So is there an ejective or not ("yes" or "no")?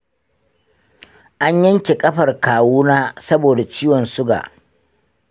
yes